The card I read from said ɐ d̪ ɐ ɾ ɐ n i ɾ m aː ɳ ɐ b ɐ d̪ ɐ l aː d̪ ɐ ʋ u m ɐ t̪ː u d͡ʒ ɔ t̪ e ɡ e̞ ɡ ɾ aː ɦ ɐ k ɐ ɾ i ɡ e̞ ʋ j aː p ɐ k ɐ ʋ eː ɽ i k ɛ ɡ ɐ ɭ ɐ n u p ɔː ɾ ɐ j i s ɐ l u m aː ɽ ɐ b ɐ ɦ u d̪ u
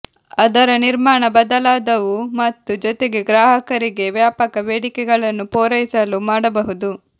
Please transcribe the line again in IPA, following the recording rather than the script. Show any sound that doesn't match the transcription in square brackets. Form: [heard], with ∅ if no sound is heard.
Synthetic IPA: ɐ d̪ ɐ ɾ ɐ n i ɾ m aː ɳ ɐ b ɐ d̪ ɐ l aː d̪ ɐ ʋ u m ɐ t̪ː u d͡ʒ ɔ t̪ e ɡ e̞ ɡ ɾ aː ɦ ɐ k ɐ ɾ i ɡ e̞ ʋ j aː p ɐ k ɐ ʋ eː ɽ i k ɛ ɡ ɐ ɭ ɐ [nː] u p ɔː ɾ ɐ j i s ɐ l u m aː ɽ ɐ b ɐ ɦ u d̪ u